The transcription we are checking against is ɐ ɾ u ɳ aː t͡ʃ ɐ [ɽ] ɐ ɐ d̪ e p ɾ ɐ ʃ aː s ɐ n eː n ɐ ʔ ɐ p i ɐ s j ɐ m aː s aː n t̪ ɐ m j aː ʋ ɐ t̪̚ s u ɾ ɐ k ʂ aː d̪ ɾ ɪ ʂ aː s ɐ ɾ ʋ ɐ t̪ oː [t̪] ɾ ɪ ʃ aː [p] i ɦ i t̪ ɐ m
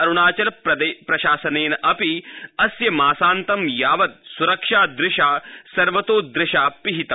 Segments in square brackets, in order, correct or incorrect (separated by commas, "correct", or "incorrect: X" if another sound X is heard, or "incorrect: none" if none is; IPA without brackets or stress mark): incorrect: l, incorrect: d̪, correct